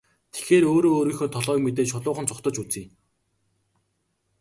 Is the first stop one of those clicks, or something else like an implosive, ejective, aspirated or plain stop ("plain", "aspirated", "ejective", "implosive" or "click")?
aspirated